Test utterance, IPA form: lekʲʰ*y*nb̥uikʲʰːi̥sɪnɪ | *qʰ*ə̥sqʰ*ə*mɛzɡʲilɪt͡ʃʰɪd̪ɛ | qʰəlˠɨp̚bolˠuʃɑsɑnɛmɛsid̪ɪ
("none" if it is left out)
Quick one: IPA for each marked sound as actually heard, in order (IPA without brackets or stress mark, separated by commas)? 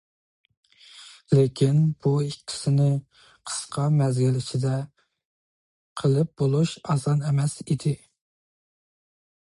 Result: i, qʰ, ɑ